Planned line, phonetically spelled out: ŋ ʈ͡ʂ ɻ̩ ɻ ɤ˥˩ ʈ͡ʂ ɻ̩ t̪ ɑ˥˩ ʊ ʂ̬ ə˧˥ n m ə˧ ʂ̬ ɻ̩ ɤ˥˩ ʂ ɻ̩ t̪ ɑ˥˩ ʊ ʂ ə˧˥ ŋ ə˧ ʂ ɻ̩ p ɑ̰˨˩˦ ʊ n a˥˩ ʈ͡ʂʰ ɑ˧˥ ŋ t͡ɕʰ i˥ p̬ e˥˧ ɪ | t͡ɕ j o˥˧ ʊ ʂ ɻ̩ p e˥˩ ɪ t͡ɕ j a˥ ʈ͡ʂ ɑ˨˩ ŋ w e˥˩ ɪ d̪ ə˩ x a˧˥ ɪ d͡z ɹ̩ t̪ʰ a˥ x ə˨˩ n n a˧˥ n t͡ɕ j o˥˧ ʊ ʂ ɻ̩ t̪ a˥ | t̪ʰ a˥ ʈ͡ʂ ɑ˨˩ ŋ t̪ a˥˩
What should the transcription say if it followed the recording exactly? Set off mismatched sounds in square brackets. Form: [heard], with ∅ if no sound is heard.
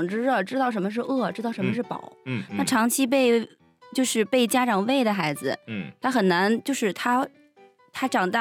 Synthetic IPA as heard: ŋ ʈ͡ʂ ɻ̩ ɻ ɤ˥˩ ʈ͡ʂ ɻ̩ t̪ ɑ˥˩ ʊ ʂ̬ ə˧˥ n m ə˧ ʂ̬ ɻ̩ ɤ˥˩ [ʈ͡ʂ] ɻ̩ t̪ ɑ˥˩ ʊ ʂ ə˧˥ [m] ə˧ ʂ ɻ̩ p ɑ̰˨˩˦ ʊ n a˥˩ ʈ͡ʂʰ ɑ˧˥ ŋ t͡ɕʰ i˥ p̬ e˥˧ ɪ | t͡ɕ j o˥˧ ʊ ʂ ɻ̩ p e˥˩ ɪ t͡ɕ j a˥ ʈ͡ʂ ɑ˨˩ ŋ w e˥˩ ɪ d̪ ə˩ x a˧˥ ɪ d͡z ɹ̩ t̪ʰ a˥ x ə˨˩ n n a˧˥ n t͡ɕ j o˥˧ ʊ ʂ ɻ̩ [t̪ʰ] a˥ | t̪ʰ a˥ ʈ͡ʂ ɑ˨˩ ŋ t̪ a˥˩